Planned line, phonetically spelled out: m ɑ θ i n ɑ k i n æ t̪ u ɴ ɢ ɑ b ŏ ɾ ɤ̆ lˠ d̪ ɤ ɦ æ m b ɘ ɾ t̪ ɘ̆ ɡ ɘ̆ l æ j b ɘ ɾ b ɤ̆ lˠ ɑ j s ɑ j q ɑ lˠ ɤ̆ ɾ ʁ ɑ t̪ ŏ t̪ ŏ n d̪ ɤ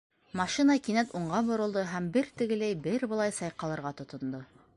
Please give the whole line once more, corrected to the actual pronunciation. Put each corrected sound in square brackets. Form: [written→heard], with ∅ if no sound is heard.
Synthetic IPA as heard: m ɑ [θ→ʃ] i n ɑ k i n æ t̪ u ɴ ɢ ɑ b ŏ ɾ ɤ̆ lˠ d̪ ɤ ɦ æ m b ɘ ɾ t̪ ɘ̆ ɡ ɘ̆ l æ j b ɘ ɾ b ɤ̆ lˠ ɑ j s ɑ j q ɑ lˠ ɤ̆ ɾ ʁ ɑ t̪ ŏ t̪ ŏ n d̪ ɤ